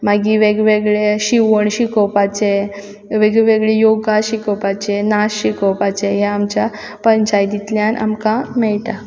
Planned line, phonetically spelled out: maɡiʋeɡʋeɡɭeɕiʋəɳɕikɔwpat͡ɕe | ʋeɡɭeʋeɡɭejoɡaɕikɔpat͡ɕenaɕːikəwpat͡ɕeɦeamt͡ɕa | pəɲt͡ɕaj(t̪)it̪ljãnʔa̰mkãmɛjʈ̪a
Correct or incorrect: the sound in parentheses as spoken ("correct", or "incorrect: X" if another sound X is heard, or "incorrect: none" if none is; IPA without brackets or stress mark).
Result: incorrect: d̪